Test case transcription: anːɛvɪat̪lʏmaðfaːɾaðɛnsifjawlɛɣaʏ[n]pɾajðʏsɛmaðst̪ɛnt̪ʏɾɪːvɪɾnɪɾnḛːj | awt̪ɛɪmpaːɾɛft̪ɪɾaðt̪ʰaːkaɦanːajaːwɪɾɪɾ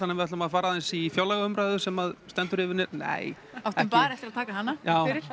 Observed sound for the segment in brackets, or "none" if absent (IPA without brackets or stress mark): m